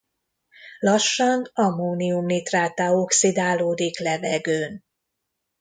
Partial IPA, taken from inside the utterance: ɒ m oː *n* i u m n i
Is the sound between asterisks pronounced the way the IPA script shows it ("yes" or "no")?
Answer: yes